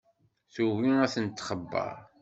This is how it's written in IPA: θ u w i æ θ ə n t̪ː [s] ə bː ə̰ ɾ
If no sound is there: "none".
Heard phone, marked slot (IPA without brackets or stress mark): χ